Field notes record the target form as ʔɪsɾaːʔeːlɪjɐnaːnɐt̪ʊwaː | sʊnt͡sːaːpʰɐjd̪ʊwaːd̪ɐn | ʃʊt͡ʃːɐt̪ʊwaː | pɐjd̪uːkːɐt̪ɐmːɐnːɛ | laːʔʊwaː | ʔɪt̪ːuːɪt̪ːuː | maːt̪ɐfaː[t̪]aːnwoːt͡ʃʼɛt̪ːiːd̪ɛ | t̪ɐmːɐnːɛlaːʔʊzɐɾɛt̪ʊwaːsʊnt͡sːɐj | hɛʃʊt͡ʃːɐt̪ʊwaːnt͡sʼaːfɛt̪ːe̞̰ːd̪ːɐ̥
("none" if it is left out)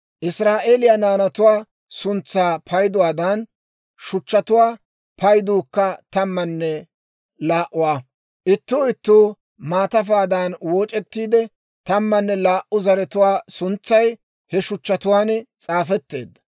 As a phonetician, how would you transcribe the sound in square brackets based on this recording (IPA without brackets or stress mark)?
d̪